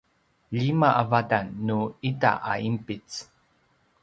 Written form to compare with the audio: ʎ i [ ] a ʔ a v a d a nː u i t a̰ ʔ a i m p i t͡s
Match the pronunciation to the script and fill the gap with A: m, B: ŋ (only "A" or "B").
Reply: A